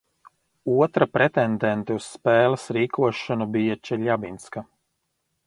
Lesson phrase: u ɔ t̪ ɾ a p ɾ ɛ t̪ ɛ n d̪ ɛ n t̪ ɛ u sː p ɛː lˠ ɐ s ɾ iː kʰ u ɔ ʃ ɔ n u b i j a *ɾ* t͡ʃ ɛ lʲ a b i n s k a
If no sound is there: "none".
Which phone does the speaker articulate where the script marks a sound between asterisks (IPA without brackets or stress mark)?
none